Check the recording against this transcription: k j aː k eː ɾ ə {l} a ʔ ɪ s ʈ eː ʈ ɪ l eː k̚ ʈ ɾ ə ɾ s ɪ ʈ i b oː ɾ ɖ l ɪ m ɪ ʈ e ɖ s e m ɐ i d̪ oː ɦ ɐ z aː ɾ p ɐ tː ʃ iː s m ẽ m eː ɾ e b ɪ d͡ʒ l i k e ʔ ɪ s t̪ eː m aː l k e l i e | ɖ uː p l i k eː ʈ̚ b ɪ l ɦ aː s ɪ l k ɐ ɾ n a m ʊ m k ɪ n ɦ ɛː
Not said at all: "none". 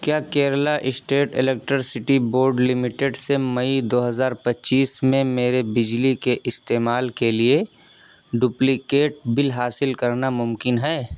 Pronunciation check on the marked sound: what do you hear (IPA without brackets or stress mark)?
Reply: l